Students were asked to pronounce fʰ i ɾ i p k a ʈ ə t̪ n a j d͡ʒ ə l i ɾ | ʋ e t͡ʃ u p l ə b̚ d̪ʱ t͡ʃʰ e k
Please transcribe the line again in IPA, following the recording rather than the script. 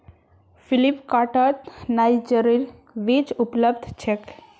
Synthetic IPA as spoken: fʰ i l i p k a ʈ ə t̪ n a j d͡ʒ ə ɾ i ɾ | ʋ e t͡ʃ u p l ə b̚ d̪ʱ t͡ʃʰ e k